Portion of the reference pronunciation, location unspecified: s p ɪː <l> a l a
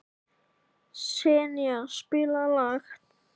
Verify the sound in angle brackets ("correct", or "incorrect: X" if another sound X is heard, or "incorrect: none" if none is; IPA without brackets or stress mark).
correct